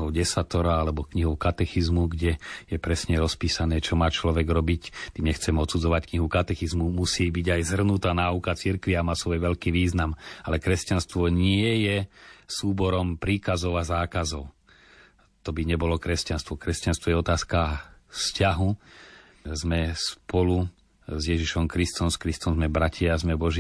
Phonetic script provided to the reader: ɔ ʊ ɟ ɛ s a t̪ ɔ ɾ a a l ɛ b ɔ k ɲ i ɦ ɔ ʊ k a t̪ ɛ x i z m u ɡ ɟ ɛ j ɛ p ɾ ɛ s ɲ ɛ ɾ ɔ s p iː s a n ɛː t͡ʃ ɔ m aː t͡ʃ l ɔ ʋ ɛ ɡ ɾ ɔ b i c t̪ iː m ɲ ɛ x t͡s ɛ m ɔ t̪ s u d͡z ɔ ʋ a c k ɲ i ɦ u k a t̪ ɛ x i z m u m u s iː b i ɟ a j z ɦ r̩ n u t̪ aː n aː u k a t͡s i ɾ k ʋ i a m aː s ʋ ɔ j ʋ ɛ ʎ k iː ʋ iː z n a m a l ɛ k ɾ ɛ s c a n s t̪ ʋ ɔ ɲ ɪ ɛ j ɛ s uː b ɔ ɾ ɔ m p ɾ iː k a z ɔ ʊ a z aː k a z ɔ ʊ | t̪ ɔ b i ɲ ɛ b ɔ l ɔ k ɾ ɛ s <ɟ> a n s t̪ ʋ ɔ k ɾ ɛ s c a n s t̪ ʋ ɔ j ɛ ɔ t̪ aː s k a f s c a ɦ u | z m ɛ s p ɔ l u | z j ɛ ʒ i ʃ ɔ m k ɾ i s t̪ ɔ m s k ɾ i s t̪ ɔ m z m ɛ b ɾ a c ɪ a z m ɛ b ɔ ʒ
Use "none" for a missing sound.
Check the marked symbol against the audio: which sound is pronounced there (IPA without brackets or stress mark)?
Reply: c